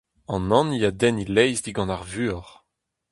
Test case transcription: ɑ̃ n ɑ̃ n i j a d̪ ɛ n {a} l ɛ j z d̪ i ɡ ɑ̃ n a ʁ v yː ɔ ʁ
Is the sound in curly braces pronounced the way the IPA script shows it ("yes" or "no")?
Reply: no